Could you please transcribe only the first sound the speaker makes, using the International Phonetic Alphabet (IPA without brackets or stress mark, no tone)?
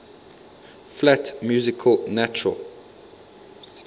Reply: f